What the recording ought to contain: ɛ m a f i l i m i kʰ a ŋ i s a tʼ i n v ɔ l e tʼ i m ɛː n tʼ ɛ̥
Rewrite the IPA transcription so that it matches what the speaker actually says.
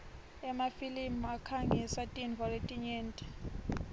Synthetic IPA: ɛ m a f i l i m a kʰ a ŋ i s a tʼ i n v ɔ l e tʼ i ɲ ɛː n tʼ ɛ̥